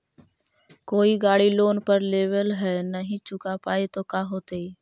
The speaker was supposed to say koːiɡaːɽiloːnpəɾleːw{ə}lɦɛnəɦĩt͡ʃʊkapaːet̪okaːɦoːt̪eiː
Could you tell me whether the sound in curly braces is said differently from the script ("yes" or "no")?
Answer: no